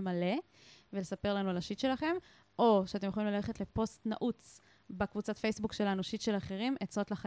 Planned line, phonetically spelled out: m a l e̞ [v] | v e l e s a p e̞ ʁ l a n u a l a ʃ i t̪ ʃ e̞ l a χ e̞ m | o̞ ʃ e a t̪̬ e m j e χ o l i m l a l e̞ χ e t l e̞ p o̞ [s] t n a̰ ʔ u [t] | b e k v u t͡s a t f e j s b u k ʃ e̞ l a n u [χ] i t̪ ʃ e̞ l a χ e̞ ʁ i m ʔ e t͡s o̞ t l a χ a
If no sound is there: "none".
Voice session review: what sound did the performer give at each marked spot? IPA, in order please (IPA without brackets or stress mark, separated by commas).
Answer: none, s, t͡s, ʃ